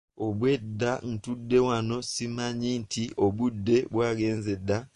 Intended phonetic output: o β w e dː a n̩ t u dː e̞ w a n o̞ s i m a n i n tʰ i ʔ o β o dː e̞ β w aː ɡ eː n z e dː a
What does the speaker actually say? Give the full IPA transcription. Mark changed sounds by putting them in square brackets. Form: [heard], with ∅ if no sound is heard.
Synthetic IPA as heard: o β w e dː a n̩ t u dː e̞ w a n o̞ s i m a [ɲ] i n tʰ i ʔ o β [u] dː e̞ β w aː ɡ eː n z e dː a